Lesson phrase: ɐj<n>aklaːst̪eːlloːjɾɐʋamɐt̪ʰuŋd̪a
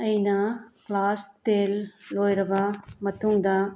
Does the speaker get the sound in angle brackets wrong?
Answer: no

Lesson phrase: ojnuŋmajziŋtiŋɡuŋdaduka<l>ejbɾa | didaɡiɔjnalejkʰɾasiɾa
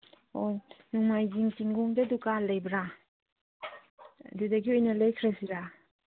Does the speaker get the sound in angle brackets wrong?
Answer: no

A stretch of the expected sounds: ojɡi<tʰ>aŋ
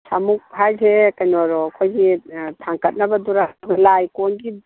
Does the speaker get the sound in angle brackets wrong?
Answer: no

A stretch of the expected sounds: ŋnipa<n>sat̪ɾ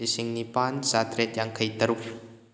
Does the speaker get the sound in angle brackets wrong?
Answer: no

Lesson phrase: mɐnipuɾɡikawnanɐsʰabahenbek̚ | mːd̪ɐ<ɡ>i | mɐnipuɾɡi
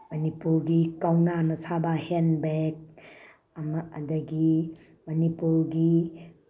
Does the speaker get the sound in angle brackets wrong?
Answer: no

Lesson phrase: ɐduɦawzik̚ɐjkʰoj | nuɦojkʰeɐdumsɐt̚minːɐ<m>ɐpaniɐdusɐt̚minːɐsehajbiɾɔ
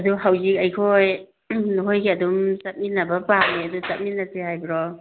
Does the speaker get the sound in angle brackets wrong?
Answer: yes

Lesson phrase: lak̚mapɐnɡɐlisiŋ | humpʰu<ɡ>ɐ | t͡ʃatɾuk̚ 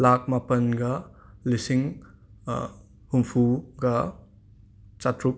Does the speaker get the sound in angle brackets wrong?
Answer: no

